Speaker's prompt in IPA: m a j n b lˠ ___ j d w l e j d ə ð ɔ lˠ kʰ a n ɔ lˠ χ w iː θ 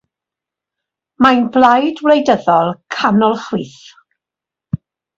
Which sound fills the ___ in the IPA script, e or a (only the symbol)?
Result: a